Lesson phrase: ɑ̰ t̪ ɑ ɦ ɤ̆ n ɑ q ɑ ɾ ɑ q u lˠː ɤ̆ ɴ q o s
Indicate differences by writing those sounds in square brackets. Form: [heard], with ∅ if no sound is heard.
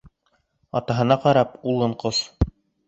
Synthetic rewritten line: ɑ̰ t̪ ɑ ɦ ɤ̆ n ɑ q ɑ ɾ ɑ [p] u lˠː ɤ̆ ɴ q o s